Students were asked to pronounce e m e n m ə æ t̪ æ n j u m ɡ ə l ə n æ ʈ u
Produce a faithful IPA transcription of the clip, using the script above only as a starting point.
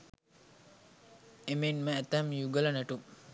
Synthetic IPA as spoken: e m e n m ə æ t̪ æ m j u ɡ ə l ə n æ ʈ u